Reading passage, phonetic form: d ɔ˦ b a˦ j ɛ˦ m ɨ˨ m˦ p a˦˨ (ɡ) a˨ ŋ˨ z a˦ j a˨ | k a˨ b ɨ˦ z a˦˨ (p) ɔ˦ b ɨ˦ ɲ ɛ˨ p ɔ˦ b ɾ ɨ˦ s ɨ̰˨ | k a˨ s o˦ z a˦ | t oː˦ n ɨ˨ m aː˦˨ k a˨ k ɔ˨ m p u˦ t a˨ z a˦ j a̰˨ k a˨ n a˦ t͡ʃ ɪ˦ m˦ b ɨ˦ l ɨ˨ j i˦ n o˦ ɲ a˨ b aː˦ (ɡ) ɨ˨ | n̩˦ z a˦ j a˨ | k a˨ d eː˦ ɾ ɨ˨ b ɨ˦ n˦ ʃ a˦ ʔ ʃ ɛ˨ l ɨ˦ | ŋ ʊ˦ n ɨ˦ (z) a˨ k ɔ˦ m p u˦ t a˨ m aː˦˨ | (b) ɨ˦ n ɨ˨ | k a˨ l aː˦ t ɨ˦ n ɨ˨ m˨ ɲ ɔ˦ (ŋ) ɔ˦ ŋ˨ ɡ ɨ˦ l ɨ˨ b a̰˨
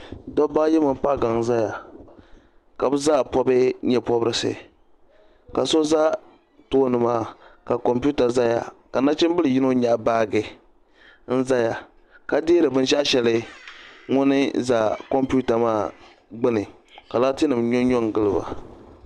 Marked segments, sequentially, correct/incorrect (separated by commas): correct, correct, correct, correct, incorrect, incorrect